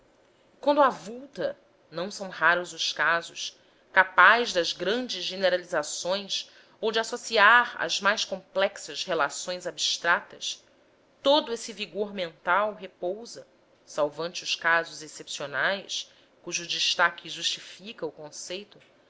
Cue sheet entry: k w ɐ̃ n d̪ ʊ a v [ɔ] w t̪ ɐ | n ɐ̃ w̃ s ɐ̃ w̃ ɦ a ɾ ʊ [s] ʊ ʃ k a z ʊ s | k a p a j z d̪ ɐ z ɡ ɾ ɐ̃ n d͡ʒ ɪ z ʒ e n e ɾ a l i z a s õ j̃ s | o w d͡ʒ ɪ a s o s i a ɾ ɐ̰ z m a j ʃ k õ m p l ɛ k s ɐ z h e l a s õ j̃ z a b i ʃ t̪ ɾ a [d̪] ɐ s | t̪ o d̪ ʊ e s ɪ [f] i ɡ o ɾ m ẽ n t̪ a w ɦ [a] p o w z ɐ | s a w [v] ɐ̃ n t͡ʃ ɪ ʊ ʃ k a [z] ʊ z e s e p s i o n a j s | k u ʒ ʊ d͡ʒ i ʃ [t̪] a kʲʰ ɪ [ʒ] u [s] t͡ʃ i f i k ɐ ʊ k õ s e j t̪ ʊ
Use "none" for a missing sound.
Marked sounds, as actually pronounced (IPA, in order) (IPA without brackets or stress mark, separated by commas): u, z, t̪, v, e, v, z, t̪, ʒ, ʃ